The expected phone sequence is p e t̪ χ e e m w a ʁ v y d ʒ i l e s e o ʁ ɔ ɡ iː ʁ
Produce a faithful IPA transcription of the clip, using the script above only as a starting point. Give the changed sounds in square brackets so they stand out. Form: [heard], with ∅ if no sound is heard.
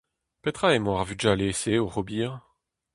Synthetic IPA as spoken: p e t̪ χ [a] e m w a ʁ v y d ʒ [a] l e s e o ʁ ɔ [b] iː ʁ